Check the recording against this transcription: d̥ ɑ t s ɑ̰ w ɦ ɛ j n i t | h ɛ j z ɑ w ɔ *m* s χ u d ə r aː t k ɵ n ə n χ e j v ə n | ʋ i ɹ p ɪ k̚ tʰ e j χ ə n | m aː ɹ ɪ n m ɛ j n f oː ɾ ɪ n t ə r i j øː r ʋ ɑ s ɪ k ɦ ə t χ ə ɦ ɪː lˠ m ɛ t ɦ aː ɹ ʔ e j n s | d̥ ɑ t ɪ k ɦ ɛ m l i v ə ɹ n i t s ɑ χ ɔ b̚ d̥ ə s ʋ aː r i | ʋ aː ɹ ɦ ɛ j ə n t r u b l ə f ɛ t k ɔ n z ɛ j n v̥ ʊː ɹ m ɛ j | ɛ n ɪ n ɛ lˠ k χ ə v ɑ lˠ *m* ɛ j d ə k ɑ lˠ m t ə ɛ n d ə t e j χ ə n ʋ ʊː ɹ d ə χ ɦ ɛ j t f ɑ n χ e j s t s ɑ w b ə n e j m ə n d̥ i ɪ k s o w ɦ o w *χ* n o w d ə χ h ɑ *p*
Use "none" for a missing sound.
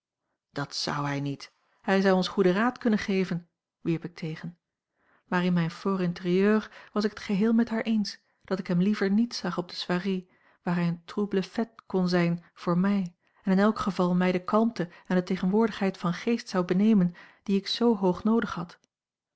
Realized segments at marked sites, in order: n, m, χ, t

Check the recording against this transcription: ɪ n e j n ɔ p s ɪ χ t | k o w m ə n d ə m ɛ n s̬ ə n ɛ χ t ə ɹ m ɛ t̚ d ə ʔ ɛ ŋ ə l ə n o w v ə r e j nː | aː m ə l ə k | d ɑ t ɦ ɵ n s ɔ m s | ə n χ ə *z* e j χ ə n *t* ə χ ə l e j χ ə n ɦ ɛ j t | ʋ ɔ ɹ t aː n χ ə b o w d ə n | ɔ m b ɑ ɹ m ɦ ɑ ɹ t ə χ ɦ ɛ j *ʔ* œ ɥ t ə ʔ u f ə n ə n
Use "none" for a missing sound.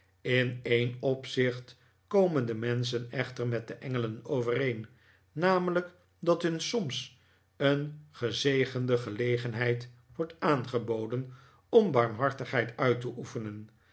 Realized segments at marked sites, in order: z, d, t

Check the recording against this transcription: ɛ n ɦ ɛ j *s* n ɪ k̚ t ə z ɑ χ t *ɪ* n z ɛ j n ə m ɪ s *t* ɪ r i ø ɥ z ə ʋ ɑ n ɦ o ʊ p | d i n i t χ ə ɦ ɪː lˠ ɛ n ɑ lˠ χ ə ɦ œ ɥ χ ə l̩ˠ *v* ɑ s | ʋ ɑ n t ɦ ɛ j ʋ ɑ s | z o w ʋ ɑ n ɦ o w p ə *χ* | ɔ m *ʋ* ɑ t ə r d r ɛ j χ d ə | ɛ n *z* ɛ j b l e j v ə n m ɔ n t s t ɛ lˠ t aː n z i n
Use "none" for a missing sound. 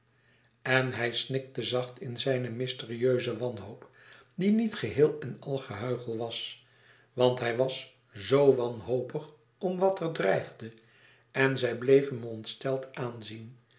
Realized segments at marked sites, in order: s, ɪ, t, ʋ, χ, ʋ, z

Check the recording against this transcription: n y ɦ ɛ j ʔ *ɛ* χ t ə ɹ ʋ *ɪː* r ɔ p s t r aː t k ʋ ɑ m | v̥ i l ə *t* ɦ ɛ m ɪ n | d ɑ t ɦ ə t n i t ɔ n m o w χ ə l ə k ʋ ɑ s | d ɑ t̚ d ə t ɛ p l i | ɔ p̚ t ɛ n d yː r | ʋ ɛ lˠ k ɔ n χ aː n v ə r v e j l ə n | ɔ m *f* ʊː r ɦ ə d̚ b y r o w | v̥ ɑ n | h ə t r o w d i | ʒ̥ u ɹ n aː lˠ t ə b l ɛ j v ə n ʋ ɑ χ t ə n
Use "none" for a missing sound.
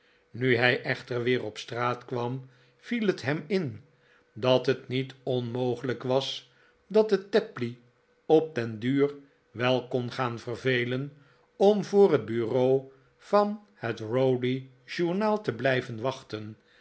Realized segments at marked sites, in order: ɛ, ɪː, t, v

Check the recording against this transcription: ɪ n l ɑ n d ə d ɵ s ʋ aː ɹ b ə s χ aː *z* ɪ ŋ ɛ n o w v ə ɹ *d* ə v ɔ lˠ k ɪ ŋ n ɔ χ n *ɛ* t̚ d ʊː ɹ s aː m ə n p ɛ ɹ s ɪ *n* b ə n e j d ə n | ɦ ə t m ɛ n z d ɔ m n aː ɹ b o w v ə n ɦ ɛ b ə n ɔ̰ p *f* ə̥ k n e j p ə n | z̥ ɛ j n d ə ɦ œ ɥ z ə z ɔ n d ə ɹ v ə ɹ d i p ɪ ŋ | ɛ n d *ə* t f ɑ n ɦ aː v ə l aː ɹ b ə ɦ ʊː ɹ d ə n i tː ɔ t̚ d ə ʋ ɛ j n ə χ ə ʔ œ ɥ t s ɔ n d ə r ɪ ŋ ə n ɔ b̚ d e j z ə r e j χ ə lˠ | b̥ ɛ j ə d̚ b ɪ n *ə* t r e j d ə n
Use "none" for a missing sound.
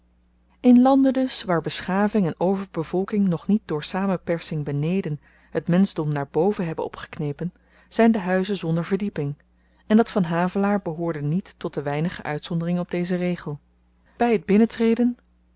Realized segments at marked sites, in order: v, b, i, ŋ, χ, ɑ, ə

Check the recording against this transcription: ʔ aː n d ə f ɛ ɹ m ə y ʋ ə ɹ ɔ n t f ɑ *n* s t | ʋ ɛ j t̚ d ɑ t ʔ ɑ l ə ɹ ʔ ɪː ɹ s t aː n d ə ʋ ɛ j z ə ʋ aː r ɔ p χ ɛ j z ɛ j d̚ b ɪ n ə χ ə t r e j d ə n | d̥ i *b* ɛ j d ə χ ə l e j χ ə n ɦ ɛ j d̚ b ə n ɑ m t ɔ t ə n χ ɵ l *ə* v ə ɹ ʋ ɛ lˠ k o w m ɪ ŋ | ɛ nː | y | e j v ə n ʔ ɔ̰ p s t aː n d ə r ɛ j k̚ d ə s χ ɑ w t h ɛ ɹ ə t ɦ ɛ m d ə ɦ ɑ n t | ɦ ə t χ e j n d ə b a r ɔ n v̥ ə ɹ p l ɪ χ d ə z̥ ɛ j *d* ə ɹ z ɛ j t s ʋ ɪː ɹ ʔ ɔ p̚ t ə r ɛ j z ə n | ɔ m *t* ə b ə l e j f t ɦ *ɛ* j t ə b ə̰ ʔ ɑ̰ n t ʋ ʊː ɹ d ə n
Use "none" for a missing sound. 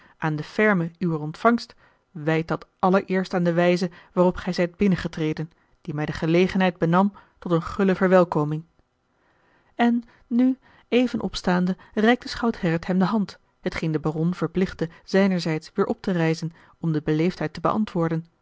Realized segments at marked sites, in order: ŋ, m, ə, n, d, ɛ

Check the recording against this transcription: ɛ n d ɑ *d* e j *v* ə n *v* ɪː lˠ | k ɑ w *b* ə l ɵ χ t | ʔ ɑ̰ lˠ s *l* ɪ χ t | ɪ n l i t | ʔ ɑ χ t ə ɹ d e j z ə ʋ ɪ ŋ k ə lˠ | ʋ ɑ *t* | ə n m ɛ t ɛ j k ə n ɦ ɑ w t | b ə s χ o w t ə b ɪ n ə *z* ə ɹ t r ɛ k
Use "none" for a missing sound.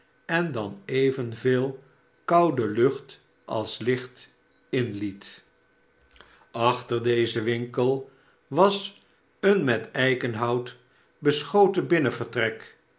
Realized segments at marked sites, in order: n, v, v, d, l, s, v

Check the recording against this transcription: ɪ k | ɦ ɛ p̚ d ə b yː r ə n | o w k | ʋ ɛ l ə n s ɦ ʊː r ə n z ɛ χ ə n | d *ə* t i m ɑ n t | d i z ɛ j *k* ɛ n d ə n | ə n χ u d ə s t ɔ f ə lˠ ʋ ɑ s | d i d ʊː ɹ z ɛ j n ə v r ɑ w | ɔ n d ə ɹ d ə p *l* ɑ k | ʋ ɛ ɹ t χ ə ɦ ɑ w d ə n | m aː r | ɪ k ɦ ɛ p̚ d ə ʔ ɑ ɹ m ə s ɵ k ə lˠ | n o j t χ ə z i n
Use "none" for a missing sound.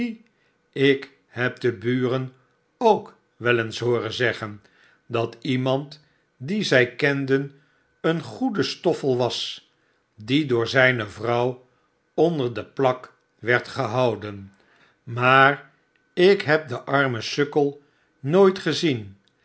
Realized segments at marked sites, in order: ɑ, k, l

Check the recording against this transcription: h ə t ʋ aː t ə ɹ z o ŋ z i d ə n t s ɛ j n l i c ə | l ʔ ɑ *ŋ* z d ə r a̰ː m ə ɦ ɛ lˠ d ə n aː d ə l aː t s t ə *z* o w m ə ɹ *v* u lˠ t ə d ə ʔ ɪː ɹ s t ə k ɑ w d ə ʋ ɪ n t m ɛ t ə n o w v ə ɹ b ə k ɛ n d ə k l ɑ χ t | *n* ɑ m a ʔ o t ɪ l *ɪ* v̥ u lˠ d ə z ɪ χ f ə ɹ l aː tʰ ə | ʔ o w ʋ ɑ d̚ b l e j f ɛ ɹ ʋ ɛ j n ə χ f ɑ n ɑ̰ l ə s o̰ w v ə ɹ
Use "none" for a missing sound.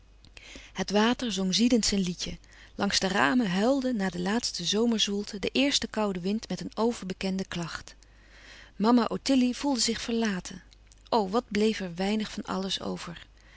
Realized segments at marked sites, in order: ŋ, z, z, m, i

